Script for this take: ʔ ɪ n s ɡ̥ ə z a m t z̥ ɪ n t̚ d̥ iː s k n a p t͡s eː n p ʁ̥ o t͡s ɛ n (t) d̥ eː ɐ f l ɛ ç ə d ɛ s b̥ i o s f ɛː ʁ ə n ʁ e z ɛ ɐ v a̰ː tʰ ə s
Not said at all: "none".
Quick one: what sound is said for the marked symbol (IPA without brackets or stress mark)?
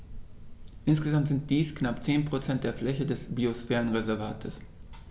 t